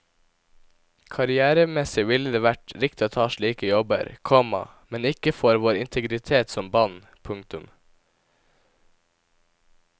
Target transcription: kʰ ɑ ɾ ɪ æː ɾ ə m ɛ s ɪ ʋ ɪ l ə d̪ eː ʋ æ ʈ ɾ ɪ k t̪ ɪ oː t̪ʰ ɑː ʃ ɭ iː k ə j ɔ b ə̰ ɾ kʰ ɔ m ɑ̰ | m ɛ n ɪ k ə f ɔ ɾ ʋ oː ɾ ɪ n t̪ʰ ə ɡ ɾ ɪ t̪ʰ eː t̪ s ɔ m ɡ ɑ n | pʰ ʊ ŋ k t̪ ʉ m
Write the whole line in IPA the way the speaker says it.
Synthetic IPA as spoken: kʰ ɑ ɾ ɪ æː ɾ ə m ɛ s ɪ ʋ ɪ l ə d̪ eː ʋ æ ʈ ɾ ɪ k t̪ ɪ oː t̪ʰ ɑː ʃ ɭ iː k ə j ɔ b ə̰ ɾ kʰ ɔ m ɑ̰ | m ɛ n ɪ k ə f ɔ ɾ ʋ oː ɾ ɪ n t̪ʰ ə ɡ ɾ ɪ t̪ʰ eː t̪ s ɔ m b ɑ n | pʰ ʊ ŋ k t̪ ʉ m

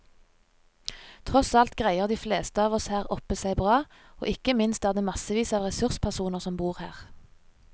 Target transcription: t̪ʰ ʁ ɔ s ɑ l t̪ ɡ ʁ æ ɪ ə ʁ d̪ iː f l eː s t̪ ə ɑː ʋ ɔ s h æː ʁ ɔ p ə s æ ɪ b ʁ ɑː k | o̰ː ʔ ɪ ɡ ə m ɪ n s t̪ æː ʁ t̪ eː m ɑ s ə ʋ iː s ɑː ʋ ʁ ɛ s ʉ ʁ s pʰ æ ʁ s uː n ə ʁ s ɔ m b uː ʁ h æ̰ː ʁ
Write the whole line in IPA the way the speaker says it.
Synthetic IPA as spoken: t̪ʰ ʁ ɔ s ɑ l t̪ ɡ ʁ æ ɪ ə ʁ d̪ iː f l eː s t̪ ə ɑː ʋ ɔ s h æː ʁ ɔ p ə s æ ɪ b ʁ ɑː | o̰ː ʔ ɪ k ə m ɪ n s t̪ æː ʁ d̪ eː m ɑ s ə ʋ iː s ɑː ʋ ʁ ɛ s ʉ ʁ s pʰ æ ʁ s uː n ə ʁ s ɔ m b uː ʁ h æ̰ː ʁ

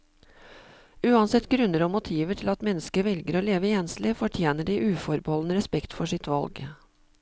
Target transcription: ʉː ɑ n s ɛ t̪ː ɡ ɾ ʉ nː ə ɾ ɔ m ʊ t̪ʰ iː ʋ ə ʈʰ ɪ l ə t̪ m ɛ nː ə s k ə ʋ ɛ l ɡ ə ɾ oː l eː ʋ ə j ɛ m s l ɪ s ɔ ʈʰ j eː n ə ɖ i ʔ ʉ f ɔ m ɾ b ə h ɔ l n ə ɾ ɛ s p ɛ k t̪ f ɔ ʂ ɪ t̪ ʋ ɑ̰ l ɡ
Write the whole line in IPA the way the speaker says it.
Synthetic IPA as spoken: ʉː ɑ n s ɛ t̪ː ɡ ɾ ʉ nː ə ɾ ɔ m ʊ t̪ʰ iː ʋ ə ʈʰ ɪ l ɑ t̪ m ɛ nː ə s k ə ʋ ɛ l ɡ ə ɾ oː l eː ʋ ə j ɛ n s l ɪ f ɔ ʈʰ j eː n ə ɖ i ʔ ʉː f ɔ ɾ b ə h ɔ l n ə ɾ ɛ s p ɛ k t̪ f ɔ ʂ ɪ t̪ ʋ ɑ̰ l ɡ

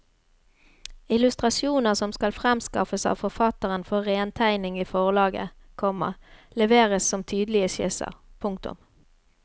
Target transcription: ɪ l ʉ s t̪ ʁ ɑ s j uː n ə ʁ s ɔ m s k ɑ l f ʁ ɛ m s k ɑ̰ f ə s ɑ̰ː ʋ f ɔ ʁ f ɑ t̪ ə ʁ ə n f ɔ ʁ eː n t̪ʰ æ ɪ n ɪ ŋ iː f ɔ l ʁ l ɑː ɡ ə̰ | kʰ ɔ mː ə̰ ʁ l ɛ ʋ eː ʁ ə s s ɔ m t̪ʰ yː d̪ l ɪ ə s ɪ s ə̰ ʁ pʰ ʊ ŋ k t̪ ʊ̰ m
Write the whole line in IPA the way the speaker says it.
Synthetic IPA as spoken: ɪ l ʉ s t̪ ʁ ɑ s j uː n ə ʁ s ɔ m s k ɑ l f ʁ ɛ m s k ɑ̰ f ə s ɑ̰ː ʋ f ɔ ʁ f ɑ t̪ ə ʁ ə n f ɔ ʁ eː n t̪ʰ æ ɪ n ɪ ŋ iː f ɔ ʁ l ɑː ɡ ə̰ | kʰ ɔ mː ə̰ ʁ l ɛ ʋ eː ʁ ə s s ɔ m t̪ʰ yː d̪ l ɪ ə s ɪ s ə̰ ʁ pʰ ʊ ŋ k t̪ ʊ̰ m

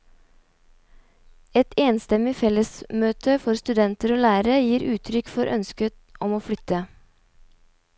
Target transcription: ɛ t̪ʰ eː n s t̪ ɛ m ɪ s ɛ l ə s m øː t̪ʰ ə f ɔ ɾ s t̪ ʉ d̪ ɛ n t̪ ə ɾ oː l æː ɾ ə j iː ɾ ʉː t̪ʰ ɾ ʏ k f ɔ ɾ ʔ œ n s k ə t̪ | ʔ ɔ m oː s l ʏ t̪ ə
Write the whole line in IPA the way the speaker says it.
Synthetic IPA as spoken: ɛ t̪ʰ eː n s t̪ ɛ m ɪ f ɛ l ə s m øː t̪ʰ ə f ɔ ɾ s t̪ ʉ d̪ ɛ n t̪ ə ɾ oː l æː ɾ ə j iː ɾ ʉː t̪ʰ ɾ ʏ k f ɔ ɾ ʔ œ n s k ə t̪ | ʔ ɔ m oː f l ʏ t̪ ə

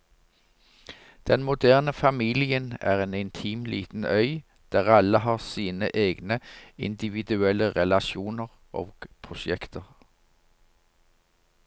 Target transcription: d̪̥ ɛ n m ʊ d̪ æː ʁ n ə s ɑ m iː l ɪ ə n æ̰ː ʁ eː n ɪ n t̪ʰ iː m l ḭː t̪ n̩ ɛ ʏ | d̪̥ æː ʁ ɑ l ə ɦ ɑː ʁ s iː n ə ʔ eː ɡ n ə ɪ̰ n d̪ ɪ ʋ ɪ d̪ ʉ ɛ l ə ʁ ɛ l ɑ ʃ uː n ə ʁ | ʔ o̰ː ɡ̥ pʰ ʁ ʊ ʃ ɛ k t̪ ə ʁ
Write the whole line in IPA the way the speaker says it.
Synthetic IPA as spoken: d̪̥ ɛ n m ʊ d̪ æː ʁ n ə f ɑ m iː l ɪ ə n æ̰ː ʁ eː n ɪ n t̪ʰ iː m l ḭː t̪ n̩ œ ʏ | d̪̥ æː ʁ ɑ l ə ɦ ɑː ʁ s iː n ə ʔ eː ɡ n ə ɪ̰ n d̪ ɪ ʋ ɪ d̪ ʉ ɛ l ə ʁ ɛ l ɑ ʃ uː n ə ʁ | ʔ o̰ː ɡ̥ pʰ ʁ ʊ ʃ ɛ k t̪ ə ʁ

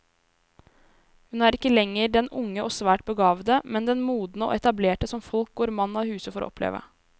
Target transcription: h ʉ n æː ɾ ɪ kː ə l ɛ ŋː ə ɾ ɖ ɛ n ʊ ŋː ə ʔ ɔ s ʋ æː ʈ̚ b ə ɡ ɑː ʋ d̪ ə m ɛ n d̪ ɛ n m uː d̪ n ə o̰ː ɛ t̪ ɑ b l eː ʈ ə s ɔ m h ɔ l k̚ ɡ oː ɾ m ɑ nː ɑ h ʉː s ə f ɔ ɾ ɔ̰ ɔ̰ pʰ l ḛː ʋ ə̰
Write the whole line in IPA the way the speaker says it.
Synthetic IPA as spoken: h ʉ n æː ɾ ɪ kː ə l ɛ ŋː ə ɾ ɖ ɛ n ʊ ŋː ə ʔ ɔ s ʋ æː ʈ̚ b ə ɡ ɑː ʋ d̪ ə m ɛ n d̪ ɛ n m uː d̪ n ə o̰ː ɛ t̪ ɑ b l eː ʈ ə s ɔ m f ɔ l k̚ ɡ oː ɾ m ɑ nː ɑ h ʉː s ə f ɔ ɾ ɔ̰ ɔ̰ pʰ l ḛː ʋ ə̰

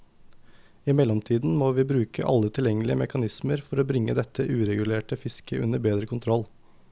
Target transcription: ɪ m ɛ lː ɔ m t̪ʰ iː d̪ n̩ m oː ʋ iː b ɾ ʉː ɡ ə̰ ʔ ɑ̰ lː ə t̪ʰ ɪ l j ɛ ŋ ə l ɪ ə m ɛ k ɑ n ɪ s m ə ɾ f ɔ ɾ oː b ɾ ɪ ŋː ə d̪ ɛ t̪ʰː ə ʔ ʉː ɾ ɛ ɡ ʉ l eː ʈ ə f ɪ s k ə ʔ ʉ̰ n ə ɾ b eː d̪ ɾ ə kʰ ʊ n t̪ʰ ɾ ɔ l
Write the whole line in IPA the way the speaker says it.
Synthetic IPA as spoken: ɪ m ɛ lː ɔ m t̪ʰ iː d̪ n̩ m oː ʋ iː b ɾ ʉː k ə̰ ʔ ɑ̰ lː ə t̪ʰ ɪ l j ɛ ŋ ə l ɪ ə m ɛ k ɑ n ɪ s m ə ɾ f ɔ ɾ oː b ɾ ɪ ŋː ə d̪ ɛ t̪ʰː ə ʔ ʉː ɾ ɛ ɡ ʉ l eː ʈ ə f ɪ s k ə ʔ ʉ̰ n ə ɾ b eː d̪ ɾ ə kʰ ʊ n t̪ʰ ɾ ɔ l

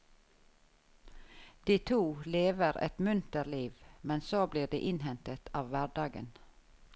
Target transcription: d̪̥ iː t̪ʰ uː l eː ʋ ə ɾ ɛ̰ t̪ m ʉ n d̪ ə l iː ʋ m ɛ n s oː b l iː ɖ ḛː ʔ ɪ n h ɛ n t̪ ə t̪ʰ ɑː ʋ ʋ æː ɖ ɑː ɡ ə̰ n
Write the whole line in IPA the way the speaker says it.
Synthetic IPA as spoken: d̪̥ iː t̪ʰ uː l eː ʋ ə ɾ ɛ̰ t̪ m ʉ n t̪ ə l iː ʋ m ɛ n s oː b l iː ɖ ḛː ʔ ɪ n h ɛ n t̪ ə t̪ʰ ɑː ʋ ʋ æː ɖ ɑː ɡ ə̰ n

